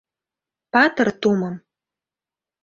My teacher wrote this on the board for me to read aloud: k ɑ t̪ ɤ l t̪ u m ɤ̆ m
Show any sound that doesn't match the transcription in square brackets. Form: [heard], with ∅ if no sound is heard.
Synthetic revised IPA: [p] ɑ t̪ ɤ [r] t̪ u m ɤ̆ m